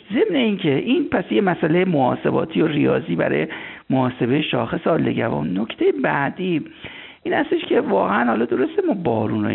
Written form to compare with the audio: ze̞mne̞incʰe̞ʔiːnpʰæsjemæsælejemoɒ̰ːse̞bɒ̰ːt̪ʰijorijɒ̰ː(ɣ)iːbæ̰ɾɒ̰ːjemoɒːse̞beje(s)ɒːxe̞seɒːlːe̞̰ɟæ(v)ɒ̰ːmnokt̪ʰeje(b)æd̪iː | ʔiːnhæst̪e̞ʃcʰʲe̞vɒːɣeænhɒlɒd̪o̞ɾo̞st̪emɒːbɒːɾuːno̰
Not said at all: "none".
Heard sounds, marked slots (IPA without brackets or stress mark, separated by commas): z, ʃ, v, b